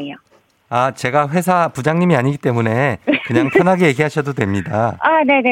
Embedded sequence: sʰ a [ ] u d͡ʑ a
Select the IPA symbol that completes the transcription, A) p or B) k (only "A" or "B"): A